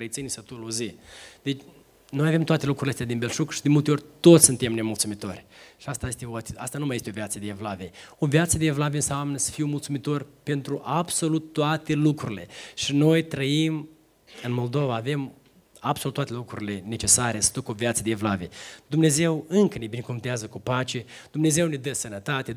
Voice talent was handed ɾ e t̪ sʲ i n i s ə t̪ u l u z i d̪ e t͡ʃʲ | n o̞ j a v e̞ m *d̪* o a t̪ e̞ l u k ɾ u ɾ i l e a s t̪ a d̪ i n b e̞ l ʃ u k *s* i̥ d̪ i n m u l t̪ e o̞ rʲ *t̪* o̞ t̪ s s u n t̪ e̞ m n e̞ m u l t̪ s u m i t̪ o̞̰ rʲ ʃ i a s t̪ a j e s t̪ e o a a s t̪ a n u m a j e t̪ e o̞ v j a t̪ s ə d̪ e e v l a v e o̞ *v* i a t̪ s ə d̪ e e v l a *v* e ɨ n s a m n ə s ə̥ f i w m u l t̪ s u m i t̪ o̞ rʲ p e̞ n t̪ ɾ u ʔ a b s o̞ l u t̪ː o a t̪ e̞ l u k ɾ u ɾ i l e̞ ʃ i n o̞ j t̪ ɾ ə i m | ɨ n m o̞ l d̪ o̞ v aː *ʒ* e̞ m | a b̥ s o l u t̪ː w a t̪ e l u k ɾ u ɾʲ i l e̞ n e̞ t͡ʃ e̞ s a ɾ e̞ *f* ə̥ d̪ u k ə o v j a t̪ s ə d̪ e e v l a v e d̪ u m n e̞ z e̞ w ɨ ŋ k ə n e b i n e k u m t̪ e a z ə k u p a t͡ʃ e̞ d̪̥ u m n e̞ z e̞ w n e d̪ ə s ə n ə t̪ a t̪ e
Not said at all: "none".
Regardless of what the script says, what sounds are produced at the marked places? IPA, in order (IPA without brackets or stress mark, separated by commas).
t̪, ʃ, t̪, v, v, v, s